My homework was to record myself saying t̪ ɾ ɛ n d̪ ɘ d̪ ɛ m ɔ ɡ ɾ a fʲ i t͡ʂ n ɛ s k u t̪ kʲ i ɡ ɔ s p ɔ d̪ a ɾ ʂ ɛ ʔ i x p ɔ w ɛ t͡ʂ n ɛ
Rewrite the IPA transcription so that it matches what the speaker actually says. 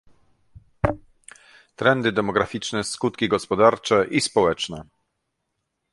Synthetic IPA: t̪ ɾ ɛ n d̪ ɘ d̪ ɛ m ɔ ɡ ɾ a fʲ i t͡ʂ n ɛ s k u t̪ kʲ i ɡ ɔ s p ɔ d̪ a ɾ t͡ʂ ɛ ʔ i s p ɔ w ɛ t͡ʂ n ɛ